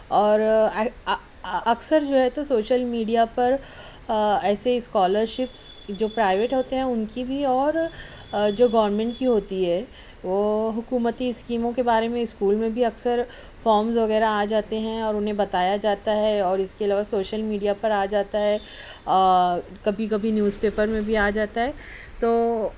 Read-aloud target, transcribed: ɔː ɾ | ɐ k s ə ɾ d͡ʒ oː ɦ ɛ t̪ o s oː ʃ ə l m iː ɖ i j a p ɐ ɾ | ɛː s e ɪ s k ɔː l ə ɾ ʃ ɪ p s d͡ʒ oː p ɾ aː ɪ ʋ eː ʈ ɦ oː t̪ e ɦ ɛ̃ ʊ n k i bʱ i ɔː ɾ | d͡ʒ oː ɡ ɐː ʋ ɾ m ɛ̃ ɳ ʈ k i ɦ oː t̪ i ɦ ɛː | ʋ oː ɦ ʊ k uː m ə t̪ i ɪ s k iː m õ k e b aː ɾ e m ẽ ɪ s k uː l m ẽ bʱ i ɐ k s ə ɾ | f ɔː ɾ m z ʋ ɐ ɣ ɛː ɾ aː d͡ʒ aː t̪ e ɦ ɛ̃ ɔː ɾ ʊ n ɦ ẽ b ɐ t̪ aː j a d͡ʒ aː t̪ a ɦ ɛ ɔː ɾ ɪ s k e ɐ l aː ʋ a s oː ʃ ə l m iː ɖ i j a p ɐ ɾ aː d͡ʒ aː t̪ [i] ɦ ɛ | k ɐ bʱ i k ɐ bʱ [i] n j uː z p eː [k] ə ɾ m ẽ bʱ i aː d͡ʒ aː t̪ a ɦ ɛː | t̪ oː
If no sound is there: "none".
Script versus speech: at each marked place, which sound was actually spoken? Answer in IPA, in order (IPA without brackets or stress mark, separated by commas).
a, i, p